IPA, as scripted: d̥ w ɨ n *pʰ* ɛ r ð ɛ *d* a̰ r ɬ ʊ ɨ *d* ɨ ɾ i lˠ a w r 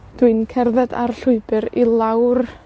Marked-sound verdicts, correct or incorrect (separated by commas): incorrect, correct, incorrect